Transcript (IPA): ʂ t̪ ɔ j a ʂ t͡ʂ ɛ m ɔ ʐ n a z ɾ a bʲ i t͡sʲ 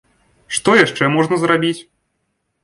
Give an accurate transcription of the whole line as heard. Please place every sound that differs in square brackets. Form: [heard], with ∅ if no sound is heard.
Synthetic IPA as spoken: ʂ t̪ ɔ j a ʂ t͡ʂ ɛ m ɔ ʐ n [ɐ] z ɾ a bʲ i t͡sʲ